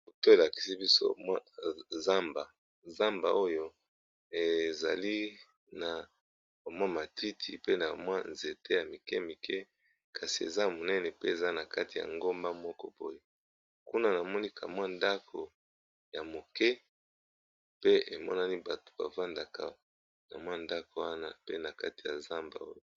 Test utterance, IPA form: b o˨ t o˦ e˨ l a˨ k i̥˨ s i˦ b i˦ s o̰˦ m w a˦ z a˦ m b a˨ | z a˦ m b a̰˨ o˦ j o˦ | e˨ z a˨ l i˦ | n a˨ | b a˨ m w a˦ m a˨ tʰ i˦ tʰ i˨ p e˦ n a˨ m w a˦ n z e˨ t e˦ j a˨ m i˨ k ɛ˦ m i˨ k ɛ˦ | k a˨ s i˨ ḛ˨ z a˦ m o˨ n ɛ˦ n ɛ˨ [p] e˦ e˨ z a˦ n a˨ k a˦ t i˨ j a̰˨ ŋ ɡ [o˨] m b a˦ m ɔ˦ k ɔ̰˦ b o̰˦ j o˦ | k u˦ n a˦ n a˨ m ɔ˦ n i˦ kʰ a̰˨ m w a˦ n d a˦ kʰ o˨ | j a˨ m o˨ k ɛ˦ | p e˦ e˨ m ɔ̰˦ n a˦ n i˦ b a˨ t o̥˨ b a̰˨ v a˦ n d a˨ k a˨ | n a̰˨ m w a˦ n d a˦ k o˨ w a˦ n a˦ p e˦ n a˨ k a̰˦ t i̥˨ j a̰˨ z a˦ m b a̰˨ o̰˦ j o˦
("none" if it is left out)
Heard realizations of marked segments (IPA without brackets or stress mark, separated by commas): p, o˦